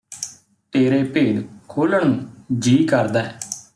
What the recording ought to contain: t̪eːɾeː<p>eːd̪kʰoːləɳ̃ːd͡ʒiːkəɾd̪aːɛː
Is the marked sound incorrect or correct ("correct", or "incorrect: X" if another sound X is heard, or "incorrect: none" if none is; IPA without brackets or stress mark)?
correct